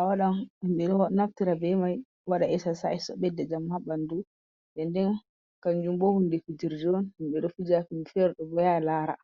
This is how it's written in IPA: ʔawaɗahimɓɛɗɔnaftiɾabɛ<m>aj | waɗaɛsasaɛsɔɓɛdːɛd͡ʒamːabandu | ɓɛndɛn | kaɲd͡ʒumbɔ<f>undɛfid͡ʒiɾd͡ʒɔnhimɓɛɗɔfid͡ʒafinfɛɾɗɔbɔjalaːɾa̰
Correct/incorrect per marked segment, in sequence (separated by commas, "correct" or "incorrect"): correct, incorrect